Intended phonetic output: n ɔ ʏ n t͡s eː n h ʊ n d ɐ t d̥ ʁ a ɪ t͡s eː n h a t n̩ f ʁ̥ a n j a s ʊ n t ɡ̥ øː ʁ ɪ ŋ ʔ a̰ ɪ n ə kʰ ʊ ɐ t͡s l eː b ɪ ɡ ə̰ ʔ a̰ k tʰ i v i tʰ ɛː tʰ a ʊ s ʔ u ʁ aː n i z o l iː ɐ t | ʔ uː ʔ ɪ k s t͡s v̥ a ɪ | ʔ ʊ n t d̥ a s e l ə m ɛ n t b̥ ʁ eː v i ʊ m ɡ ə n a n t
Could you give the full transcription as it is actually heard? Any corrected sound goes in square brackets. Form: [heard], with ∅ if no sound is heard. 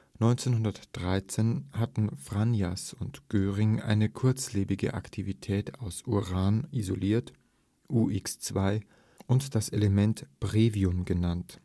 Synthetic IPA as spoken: n ɔ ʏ n t͡s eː n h ʊ n d ɐ t d̥ ʁ a ɪ t͡s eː n h a t n̩ f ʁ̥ a n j a s ʊ n t ɡ̥ øː ʁ ɪ ŋ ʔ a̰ ɪ n ə kʰ ʊ ɐ t͡s l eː b ɪ ɡ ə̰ ʔ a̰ k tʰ i v i tʰ ɛː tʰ a ʊ s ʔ u ʁ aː n i z o l iː ɐ t | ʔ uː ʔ ɪ k s t͡s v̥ a ɪ | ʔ ʊ n t d̥ a s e l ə m ɛ n t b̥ ʁ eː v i ʊ m ɡ ə n a n t